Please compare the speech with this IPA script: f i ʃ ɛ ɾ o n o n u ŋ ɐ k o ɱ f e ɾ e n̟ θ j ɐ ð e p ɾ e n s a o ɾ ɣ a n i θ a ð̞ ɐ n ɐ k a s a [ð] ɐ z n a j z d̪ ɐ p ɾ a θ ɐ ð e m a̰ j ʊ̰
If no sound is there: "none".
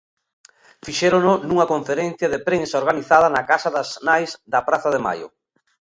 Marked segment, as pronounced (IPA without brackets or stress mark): ð